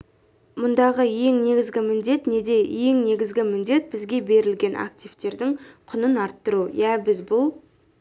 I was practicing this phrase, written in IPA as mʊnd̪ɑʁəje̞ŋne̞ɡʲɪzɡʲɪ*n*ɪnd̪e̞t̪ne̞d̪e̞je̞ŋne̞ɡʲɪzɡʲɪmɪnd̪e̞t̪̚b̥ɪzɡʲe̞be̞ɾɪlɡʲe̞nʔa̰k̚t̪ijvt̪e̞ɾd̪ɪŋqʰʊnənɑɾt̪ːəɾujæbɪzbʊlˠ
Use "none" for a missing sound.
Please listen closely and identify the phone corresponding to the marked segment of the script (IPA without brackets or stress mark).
m